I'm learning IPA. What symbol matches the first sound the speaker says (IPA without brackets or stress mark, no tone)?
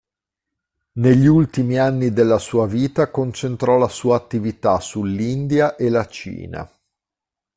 n